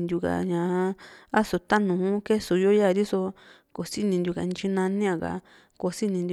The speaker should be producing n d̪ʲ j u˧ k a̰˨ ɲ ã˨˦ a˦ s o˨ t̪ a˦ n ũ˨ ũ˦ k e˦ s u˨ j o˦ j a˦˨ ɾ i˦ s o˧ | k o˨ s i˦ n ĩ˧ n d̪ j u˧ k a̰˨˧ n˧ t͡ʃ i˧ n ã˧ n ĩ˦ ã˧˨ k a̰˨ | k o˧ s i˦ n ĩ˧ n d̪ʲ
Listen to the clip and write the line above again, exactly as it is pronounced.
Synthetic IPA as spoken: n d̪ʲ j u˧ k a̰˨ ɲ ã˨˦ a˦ s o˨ t̪ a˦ n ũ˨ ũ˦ k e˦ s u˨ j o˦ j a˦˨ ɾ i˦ s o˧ | k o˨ s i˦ n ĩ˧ n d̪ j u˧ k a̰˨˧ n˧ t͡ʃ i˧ n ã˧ n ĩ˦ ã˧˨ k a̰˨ | k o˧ s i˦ n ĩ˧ n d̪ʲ